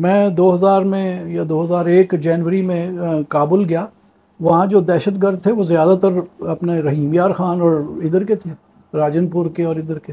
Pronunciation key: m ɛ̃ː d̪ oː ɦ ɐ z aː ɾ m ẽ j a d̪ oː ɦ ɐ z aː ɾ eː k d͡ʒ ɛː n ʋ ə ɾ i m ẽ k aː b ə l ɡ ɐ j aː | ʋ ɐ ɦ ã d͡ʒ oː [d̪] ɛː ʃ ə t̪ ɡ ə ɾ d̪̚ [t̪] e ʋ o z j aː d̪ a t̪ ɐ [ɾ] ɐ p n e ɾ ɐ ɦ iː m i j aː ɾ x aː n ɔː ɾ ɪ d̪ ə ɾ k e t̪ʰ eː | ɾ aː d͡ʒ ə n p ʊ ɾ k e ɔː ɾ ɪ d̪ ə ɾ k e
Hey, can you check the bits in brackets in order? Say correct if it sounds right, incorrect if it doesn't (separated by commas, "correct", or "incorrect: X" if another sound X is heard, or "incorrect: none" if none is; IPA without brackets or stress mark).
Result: correct, incorrect: t̪ʰ, correct